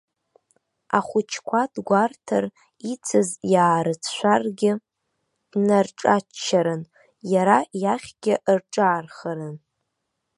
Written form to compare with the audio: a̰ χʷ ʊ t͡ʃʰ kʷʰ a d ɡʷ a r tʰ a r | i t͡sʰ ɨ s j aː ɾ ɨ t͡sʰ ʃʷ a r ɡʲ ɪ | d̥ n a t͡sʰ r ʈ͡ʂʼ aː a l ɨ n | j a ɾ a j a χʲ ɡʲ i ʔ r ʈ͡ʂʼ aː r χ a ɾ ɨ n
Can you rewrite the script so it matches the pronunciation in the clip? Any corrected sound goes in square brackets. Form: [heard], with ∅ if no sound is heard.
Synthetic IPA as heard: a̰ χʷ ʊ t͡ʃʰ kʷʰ a d ɡʷ a r tʰ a r | i t͡sʰ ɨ [z] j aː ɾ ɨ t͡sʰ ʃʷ a r ɡʲ ɪ | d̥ n a [∅] r ʈ͡ʂʼ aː a [ɾ] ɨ n | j a ɾ a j a χʲ ɡʲ [ɪ] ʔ r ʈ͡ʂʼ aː r χ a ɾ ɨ n